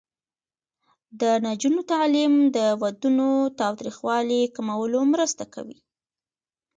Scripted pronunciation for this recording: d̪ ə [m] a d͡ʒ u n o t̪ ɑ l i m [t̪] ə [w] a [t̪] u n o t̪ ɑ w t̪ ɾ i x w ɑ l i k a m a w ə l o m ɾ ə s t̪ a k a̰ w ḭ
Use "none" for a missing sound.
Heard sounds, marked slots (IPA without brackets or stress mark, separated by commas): n, d̪, w, d̪